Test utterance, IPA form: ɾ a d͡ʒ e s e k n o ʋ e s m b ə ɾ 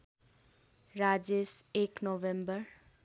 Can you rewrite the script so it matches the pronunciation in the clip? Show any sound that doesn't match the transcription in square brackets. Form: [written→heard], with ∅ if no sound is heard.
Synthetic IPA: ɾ a d͡ʒ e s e k n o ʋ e [s→∅] m b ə ɾ